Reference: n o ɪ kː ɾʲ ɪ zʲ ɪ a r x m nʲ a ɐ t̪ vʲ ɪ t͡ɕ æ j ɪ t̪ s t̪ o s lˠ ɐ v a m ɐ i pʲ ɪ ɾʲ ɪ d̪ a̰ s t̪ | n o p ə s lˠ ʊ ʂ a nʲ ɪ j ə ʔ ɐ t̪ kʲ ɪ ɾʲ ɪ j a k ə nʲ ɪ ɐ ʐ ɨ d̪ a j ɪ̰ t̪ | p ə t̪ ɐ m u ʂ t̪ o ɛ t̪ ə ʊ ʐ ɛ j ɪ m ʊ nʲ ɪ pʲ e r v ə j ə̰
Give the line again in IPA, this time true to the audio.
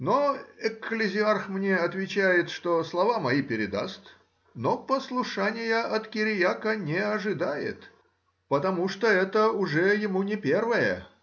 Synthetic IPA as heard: n o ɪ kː lʲ ɪ zʲ ɪ a r x m nʲ e ɐ t̪ vʲ ɪ t͡ɕ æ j ɪ t̪ ʂ t̪ o s lˠ ɐ v a m ɐ i pʲ ɪ ɾʲ ɪ d̪ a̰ s t̪ | n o p ə s lˠ ʊ ʂ a nʲ ɪ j ə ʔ ɐ t̪ kʲ ɪ ɾʲ ɪ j a k ə nʲ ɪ ɐ ʐ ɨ d̪ a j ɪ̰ t̪ | p ə t̪ ɐ m u ʂ t̪ o ɛ t̪ ə ʊ ʐ ɛ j ɪ m u nʲ ɪ pʲ e r v ə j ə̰